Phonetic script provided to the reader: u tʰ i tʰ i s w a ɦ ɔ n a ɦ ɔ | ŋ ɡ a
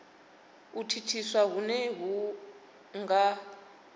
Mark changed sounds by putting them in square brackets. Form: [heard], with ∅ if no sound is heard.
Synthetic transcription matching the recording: u tʰ i tʰ i s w a ɦ [u] n [ɛ] ɦ [u] | ŋ ɡ a